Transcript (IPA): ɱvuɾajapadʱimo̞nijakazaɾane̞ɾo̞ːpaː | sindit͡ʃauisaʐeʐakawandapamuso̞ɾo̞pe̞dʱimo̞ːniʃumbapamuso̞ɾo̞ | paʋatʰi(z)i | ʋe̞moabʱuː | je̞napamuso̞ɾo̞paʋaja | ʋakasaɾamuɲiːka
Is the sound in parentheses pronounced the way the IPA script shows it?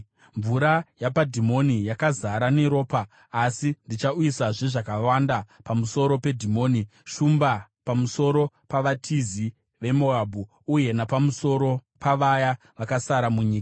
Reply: yes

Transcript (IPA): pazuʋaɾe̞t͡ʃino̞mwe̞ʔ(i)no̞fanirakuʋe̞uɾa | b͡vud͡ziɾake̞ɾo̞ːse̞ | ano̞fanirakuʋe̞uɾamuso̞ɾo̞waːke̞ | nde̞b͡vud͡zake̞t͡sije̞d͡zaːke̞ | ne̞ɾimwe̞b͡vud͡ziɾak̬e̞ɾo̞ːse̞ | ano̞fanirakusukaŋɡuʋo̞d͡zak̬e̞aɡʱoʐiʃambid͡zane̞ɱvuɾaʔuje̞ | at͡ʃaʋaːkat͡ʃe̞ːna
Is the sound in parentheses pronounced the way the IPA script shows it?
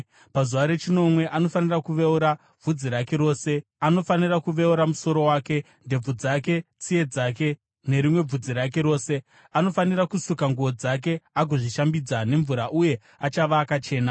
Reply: no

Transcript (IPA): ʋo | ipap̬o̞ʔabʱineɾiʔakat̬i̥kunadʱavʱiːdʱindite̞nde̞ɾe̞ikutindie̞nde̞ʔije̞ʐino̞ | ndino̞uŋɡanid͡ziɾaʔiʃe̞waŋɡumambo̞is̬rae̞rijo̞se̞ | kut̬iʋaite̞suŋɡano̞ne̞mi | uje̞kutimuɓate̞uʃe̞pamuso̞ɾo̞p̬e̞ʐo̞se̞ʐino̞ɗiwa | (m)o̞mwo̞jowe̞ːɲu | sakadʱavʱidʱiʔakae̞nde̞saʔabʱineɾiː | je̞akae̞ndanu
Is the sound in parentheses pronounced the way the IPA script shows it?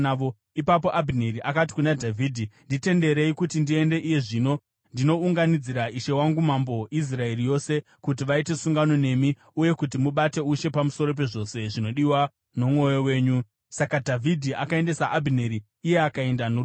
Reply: no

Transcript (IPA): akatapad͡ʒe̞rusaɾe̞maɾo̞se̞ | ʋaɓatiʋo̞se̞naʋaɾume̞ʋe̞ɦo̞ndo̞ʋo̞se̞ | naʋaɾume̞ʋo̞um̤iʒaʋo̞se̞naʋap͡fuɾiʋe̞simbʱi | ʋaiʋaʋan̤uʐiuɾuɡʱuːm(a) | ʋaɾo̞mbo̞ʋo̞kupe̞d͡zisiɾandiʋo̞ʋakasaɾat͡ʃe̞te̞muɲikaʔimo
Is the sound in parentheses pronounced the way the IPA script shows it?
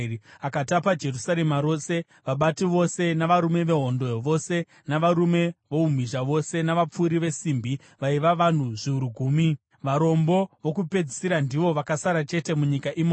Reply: no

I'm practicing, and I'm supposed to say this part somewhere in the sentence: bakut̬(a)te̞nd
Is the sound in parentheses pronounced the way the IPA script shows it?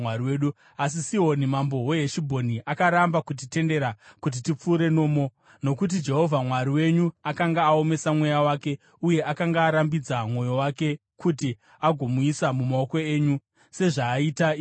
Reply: no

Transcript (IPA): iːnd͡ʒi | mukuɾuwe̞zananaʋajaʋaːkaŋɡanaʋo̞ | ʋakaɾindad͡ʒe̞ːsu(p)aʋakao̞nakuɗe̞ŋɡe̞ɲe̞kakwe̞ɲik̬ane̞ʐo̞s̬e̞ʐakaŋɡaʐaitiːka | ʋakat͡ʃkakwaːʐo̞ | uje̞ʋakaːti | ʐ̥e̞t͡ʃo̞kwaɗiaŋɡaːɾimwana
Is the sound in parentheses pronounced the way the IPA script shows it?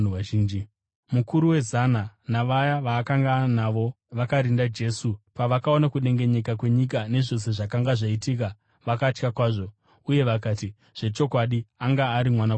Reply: yes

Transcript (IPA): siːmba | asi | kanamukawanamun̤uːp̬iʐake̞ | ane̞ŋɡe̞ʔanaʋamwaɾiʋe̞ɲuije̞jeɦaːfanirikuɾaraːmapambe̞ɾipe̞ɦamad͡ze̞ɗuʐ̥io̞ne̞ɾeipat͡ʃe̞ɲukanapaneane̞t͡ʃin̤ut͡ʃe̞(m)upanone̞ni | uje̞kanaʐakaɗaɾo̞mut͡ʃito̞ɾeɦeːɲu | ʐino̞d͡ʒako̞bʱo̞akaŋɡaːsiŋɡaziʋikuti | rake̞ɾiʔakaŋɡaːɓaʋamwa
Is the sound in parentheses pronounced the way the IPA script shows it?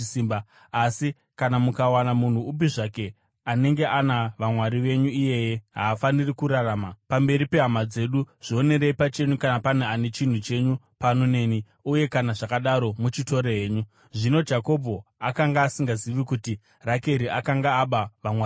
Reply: no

